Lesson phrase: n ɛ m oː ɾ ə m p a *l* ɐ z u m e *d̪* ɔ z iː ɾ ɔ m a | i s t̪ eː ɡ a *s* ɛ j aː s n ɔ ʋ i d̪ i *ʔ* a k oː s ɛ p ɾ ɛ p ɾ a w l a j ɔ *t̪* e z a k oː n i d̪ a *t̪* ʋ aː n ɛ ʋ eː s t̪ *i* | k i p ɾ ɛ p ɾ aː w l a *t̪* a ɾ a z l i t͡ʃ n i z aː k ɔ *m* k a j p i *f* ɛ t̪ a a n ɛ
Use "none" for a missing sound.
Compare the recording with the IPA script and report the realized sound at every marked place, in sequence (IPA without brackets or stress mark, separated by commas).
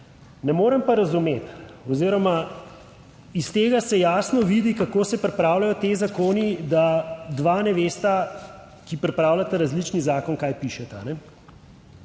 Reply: ɾ, t̪, s, k, t̪, d̪, a, t̪, n, ʃ